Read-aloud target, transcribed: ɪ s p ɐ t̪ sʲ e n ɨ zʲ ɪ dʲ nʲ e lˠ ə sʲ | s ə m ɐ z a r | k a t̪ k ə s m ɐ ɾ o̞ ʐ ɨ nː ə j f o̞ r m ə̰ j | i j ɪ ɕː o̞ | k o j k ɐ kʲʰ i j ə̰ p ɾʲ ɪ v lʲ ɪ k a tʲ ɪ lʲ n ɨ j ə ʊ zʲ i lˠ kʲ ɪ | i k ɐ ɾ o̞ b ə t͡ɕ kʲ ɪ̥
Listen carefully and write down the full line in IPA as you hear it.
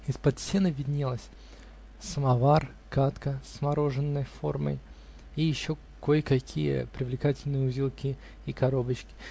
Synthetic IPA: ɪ s p ɐ t̪ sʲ e n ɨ vʲ ɪ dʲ nʲ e lˠ ə sʲ | s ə m ɐ v a r | k a t̪ k ə s m ɐ ɾ o̞ ʐ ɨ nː ə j f o̞ r m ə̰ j | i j ɪ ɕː o̞ | k o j k ɐ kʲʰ i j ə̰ p ɾʲ ɪ v lʲ ɪ k a tʲ ɪ lʲ n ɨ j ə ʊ zʲ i lˠ kʲ ɪ | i k ɐ ɾ o̞ b ə t͡ɕ kʲ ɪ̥